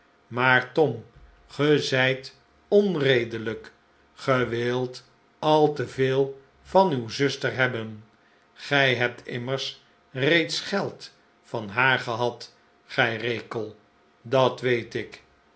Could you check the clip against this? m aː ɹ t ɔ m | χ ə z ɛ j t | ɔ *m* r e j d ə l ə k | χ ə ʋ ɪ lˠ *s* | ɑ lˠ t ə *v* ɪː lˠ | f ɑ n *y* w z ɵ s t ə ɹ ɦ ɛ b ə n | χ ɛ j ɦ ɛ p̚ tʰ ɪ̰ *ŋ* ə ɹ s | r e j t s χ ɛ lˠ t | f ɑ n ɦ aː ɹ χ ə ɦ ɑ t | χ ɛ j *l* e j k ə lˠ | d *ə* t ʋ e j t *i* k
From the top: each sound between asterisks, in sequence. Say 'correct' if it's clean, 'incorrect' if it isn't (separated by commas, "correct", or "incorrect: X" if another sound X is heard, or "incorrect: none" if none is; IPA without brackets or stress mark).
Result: incorrect: n, incorrect: t, correct, correct, incorrect: m, incorrect: r, incorrect: ɑ, incorrect: ɪ